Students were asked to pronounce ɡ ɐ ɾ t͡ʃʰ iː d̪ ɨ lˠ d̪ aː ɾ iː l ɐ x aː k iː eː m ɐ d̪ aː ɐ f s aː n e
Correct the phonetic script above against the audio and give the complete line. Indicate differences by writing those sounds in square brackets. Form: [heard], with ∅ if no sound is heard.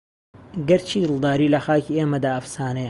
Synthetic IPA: ɡ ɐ ɾ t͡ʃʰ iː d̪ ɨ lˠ d̪ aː ɾ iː l ɐ x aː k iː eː m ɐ d̪ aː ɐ f s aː n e